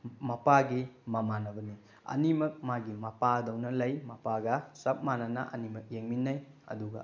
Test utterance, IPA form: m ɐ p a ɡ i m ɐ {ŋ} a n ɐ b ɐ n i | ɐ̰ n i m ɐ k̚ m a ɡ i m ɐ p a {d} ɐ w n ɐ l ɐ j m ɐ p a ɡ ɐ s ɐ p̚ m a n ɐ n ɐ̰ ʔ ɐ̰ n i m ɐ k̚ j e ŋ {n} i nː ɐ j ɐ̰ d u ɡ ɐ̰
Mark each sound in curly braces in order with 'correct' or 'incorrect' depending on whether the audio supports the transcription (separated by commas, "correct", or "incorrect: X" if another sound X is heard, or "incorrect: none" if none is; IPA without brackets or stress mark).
incorrect: m, correct, incorrect: m